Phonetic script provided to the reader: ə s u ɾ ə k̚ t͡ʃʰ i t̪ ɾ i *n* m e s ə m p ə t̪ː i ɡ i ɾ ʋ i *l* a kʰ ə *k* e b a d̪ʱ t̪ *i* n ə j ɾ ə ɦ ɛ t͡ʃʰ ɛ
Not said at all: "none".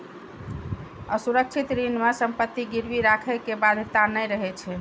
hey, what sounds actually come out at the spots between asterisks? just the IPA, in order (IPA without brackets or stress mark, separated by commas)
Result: n, ɾ, k, a